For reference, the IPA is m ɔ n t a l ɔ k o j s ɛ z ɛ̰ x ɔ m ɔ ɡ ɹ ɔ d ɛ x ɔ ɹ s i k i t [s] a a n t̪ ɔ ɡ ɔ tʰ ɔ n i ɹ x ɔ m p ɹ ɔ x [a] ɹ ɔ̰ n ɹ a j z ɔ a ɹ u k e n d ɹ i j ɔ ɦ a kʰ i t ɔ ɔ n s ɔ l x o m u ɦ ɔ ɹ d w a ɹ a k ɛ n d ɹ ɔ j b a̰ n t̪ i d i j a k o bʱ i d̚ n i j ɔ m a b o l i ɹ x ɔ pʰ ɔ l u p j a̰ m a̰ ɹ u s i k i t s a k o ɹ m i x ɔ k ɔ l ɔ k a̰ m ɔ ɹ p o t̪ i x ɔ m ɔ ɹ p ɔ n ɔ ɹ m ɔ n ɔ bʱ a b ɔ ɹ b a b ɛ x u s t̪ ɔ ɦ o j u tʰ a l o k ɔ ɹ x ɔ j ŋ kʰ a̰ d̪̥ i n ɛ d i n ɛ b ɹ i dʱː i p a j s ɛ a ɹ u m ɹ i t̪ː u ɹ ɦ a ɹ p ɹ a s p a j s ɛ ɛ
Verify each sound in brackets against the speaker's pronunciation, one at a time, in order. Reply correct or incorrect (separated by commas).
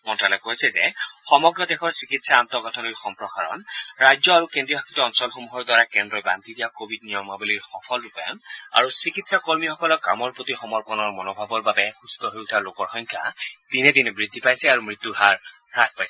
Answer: correct, correct